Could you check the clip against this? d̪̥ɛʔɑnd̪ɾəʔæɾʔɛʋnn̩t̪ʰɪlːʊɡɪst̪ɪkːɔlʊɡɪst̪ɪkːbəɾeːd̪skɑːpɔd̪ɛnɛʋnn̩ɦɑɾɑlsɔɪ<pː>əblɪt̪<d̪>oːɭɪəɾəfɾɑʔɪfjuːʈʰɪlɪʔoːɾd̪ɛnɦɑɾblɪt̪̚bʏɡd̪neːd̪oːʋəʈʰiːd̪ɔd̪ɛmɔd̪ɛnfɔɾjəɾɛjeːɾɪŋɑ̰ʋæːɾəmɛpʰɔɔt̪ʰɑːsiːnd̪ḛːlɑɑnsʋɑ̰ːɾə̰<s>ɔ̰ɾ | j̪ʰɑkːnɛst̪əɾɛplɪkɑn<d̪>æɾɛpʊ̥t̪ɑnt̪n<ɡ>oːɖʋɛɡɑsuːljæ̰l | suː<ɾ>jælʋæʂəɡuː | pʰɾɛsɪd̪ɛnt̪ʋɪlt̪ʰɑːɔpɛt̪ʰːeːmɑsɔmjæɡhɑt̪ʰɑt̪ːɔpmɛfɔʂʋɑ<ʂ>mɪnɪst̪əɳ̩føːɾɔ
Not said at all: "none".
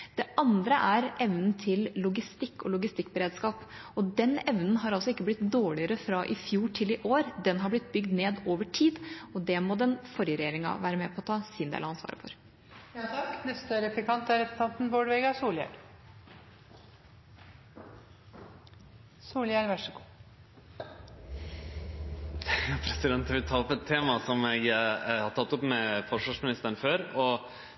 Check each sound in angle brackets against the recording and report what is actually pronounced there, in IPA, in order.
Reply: kː, d̪, f, t̪, b, l, ʂ

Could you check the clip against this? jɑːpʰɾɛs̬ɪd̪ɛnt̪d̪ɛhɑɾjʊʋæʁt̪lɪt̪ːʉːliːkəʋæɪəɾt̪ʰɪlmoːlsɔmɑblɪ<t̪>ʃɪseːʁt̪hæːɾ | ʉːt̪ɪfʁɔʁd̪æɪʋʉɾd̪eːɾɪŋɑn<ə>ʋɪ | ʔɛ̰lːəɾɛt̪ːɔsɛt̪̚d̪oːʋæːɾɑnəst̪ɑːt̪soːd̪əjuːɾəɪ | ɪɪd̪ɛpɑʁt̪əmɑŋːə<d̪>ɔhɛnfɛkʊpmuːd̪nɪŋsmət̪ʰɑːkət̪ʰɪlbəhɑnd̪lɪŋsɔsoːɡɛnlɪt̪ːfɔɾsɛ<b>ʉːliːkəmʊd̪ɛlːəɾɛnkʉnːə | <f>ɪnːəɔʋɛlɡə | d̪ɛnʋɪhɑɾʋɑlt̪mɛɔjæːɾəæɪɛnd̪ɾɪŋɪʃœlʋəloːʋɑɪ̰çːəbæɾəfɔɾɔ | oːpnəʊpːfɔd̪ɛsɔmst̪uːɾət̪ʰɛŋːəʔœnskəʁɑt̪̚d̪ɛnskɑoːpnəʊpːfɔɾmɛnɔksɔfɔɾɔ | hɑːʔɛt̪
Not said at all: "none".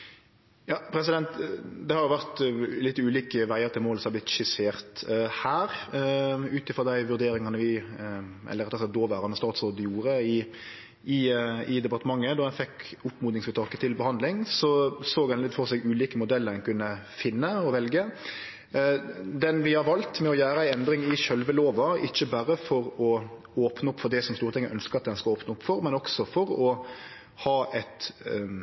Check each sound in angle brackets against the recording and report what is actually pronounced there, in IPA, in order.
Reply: t̪, ə, d̪, ɡ, f

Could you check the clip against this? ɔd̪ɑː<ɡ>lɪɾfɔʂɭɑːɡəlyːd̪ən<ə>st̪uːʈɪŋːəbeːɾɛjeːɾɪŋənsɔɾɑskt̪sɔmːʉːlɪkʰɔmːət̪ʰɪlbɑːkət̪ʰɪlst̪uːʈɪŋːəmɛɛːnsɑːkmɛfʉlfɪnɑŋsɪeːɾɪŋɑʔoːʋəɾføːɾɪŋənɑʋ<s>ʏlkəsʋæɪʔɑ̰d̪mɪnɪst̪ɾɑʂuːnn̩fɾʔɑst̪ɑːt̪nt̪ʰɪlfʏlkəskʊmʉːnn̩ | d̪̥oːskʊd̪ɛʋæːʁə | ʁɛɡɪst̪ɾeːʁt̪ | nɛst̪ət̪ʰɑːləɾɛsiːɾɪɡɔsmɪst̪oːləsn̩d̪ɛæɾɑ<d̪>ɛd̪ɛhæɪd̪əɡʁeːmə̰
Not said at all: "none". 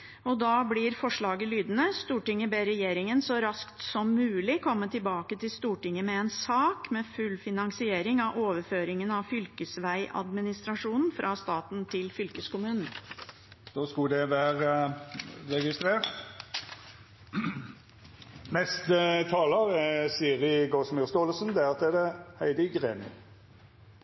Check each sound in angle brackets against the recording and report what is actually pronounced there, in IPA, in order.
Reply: b, ə, f, t̪

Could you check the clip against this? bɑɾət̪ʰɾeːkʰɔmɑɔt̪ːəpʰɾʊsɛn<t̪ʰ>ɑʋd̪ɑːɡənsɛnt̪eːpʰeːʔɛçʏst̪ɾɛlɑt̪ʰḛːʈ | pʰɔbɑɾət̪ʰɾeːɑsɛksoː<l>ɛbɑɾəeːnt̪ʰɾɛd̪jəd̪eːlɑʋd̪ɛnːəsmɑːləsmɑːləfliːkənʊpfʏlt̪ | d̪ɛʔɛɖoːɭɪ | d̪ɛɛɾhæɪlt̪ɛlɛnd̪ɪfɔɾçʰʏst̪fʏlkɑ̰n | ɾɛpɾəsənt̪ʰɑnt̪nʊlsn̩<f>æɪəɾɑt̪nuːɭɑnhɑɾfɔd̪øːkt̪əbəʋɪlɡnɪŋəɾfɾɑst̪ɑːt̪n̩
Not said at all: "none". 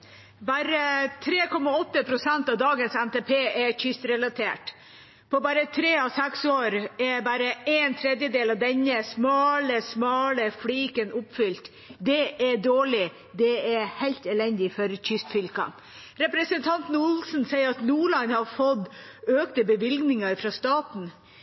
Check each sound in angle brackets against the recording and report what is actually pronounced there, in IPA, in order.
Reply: t̪, ɾ, s

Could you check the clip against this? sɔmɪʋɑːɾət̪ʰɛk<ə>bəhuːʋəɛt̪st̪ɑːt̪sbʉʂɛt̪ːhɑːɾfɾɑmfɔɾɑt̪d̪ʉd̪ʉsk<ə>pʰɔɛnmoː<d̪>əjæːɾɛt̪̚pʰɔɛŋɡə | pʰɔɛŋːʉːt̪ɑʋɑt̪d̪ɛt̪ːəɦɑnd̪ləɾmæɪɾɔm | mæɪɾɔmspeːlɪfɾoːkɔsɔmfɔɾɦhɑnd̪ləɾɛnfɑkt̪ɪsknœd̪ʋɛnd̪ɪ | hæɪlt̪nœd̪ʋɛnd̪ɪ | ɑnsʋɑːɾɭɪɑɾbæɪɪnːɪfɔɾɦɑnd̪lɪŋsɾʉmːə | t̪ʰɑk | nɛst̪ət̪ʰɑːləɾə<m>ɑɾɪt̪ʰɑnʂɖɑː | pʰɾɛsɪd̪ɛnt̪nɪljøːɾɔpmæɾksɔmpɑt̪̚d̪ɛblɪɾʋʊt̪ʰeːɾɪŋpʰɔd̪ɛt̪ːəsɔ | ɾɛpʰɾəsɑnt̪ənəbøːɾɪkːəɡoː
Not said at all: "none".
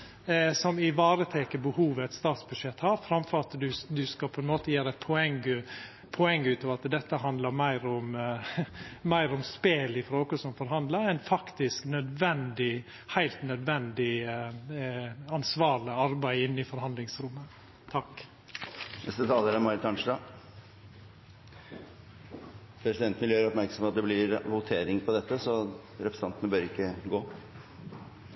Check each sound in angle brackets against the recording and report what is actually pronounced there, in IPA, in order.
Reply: ə, ɑ, t̪, m

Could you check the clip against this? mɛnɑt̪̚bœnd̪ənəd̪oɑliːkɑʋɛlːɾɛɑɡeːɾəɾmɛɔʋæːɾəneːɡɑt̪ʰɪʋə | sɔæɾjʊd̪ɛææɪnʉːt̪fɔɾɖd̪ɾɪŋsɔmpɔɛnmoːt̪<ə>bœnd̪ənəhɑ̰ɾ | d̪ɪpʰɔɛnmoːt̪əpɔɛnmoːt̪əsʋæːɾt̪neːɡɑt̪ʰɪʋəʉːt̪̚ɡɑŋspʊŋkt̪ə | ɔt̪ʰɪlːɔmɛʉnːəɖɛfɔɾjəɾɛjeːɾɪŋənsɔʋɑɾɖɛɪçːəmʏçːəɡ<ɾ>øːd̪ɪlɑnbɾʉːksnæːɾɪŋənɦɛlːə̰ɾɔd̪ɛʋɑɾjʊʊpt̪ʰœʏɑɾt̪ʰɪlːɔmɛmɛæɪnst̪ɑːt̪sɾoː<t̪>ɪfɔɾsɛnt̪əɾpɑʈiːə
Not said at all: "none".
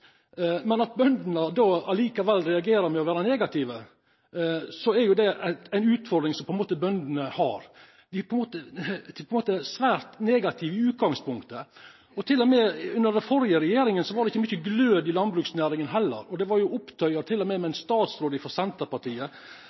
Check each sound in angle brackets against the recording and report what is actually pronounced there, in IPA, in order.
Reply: ə, l, d̪

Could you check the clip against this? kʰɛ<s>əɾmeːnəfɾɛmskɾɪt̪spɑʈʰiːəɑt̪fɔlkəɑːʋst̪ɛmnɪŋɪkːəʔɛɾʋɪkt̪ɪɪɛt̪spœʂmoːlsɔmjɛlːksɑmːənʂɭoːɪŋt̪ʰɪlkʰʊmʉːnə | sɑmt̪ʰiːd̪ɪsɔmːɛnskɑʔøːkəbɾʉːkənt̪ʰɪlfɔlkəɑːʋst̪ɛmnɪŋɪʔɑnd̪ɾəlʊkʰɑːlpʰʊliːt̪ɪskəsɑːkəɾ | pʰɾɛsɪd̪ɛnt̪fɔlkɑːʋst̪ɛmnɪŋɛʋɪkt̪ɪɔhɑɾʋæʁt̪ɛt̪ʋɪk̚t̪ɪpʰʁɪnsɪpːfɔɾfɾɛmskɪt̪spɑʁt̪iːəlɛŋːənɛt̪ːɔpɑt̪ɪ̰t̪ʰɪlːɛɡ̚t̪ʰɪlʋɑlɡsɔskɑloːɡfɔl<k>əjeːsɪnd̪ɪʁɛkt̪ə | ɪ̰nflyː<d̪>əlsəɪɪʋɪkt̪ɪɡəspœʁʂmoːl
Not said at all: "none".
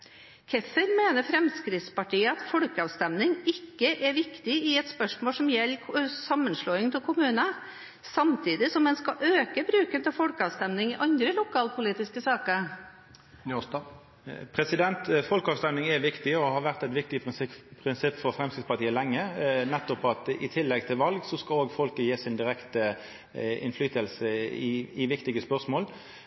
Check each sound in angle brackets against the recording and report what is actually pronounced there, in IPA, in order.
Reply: f, k, t̪

